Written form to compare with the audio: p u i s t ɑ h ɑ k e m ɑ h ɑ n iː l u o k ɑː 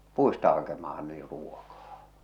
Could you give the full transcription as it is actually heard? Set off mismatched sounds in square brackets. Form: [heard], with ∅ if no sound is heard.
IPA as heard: p u i s t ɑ h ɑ k e m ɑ h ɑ n iː [r] u o k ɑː